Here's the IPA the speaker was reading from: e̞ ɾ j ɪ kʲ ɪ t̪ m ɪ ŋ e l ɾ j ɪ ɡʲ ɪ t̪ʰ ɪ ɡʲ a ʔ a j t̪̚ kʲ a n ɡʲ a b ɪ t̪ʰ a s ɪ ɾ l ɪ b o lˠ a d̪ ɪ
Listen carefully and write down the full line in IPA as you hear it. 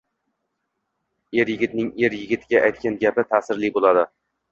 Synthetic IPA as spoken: e̞ ɾ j ɪ ɡʲ ɪ t̪ n ɪ ŋ e ɾ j ɪ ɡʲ ɪ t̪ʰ ɪ ɡʲ a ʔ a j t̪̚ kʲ a n ɡʲ a p ɪ t̪ʰ a s ɪ ɾ l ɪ b o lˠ a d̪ ɪ